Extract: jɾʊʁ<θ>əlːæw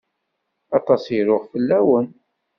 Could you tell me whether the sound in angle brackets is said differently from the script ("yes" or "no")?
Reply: yes